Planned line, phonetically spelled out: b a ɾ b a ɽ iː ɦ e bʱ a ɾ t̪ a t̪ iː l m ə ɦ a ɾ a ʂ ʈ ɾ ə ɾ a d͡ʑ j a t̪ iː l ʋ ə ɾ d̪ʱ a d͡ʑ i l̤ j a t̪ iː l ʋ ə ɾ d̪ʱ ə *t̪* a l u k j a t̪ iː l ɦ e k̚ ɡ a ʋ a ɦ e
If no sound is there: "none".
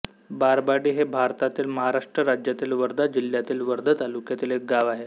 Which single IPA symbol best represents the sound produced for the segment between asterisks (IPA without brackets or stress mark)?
t̪